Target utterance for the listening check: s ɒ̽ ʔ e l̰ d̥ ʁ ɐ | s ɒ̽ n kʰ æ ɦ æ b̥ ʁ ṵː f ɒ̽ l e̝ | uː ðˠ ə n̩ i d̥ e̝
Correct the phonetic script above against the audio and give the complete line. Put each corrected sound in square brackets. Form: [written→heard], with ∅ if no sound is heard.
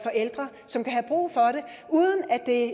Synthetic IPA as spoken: [s→f] ɒ̽ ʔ e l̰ d̥ ʁ ɐ | s ɒ̽ [n→m] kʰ æ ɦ æ b̥ ʁ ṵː f ɒ̽ [l→ɾ] e̝ | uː ðˠ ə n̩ [i→æ] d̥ e̝